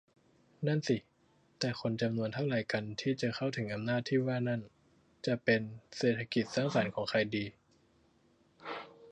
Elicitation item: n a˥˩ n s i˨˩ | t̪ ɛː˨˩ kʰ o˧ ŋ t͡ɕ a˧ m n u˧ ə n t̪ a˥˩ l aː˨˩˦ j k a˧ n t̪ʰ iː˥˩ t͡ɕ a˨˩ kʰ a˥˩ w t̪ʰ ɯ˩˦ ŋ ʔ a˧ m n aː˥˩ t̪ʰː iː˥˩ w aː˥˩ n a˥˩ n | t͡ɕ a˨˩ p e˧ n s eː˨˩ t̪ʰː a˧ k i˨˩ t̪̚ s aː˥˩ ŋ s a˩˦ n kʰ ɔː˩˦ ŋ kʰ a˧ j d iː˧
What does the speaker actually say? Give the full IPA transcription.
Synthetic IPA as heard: n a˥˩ n s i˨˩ | t̪ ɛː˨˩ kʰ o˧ n t͡ɕ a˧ m n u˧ ə n t̪ʰ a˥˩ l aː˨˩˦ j k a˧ n t̪ʰ iː˥˩ t͡ɕ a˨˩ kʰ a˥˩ w t̪ʰ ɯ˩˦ ŋ ʔ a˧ m n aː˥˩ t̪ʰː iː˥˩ w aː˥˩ n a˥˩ n | t͡ɕ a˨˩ p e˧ n s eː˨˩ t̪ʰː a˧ k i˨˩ t̪̚ s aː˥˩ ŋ s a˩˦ n kʰ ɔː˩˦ ŋ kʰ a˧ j d iː˧

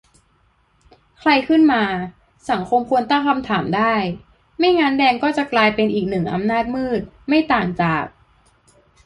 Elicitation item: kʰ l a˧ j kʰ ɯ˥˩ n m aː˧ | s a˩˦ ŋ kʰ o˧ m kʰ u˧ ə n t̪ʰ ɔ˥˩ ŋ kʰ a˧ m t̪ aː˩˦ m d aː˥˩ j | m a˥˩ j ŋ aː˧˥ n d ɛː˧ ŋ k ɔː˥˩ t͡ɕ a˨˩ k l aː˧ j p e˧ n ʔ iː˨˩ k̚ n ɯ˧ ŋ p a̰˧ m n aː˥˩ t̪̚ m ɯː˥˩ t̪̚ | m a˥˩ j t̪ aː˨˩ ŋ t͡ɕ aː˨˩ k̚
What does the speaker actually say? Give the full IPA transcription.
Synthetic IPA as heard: kʰ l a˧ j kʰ ɯ˥˩ n m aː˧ | s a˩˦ ŋ kʰ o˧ m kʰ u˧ ə n t̪ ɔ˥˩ ŋ kʰ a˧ m t̪ʰ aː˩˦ m d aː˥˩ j | m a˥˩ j ŋ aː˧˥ n d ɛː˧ ŋ k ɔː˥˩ t͡ɕ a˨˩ k l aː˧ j p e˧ n ʔ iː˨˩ k̚ n ɯ˨˩ ŋ ʔ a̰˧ m n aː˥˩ t̪̚ m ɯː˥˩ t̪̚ | m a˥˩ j t̪ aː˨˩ ŋ t͡ɕ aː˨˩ k̚

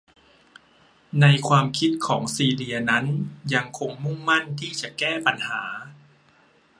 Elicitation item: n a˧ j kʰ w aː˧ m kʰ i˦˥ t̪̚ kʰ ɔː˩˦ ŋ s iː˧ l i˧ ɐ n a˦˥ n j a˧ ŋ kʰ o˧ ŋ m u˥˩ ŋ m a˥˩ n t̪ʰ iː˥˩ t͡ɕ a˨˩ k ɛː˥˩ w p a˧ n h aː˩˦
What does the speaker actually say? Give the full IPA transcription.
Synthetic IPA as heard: n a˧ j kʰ w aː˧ m kʰ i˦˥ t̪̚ kʰ ɔː˩˦ ŋ s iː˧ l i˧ ɐ n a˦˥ n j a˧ ŋ kʰ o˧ ŋ m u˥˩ ŋ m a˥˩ n t̪ʰ iː˥˩ t͡ɕ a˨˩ k ɛː˥˩ p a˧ n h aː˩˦

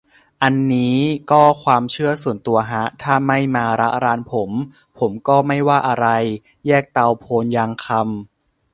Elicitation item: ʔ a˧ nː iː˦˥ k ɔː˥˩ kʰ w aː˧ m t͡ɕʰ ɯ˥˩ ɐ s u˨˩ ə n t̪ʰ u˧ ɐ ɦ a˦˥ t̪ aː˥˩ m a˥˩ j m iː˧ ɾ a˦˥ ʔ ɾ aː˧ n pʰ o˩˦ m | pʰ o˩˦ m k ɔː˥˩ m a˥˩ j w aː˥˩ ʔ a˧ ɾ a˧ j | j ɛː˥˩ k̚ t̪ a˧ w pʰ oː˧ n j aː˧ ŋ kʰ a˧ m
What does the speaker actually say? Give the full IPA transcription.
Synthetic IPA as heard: ʔ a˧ nː iː˦˥ k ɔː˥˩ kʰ w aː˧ m t͡ɕʰ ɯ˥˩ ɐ s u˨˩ ə n t̪ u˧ ɐ ɦ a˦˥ t̪ʰ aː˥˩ m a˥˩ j m aː˧ ɾ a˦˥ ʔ ɾ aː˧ n pʰ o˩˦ m | pʰ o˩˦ m k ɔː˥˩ m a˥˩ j w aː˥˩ ʔ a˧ ɾ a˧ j | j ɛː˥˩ k̚ t̪ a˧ w pʰ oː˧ n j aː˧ ŋ kʰ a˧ m

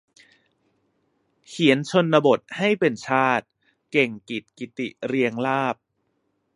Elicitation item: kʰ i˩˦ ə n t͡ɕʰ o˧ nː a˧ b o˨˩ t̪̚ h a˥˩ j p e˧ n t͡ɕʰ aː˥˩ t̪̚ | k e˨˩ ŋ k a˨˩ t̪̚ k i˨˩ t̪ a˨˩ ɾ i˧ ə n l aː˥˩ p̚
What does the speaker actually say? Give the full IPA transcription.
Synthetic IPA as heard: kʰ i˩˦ ə n t͡ɕʰ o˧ nː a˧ b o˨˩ t̪̚ h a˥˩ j p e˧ n t͡ɕʰ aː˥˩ t̪̚ | k e˨˩ ŋ k i˨˩ t̪̚ k i˨˩ t̪ i˨˩ ɾ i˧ ə ŋ l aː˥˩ p̚

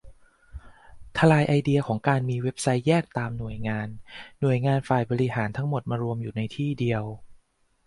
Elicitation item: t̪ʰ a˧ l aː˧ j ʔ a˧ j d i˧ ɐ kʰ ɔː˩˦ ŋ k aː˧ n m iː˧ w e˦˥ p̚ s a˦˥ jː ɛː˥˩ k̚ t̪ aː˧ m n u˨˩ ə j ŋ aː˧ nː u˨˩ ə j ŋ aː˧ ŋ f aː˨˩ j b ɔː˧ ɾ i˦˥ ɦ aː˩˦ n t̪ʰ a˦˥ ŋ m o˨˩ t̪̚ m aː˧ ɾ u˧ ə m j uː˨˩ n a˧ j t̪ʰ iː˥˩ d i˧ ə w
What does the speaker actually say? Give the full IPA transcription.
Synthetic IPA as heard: t̪ʰ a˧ l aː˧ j ʔ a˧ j d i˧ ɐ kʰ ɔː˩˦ ŋ k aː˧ n m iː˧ w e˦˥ p̚ s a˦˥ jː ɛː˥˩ k̚ t̪ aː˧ m n u˨˩ ə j ŋ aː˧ nː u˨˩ ə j ŋ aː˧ n f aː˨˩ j b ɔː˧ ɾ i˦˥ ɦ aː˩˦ n t̪ʰ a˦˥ ŋ m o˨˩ t̪̚ m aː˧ ɾ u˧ ə m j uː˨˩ n a˧ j t̪ʰ iː˥˩ d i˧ ə w

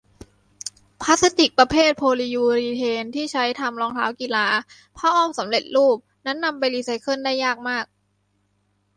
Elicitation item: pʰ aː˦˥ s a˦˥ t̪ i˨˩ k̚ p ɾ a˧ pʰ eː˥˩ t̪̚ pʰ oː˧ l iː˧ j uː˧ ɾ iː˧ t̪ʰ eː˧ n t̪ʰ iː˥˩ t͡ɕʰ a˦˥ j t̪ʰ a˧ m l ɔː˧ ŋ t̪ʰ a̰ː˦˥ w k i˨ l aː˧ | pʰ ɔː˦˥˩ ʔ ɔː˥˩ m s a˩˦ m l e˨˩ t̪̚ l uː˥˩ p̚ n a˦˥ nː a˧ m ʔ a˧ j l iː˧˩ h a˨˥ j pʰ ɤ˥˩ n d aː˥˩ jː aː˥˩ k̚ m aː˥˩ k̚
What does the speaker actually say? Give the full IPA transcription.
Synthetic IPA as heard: pʰ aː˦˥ s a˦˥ t̪ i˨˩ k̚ p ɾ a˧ pʰ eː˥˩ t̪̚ pʰ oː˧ l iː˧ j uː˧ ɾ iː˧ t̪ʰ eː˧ n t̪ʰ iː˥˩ t͡ɕʰ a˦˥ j t̪ʰ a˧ m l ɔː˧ ŋ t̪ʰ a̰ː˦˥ w k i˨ l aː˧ | pʰ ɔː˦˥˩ ʔ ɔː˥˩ m s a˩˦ m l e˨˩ t̪̚ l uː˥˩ p̚ n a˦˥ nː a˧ m p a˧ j l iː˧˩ s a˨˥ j kʰ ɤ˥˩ n d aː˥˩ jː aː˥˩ k̚ m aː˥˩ k̚

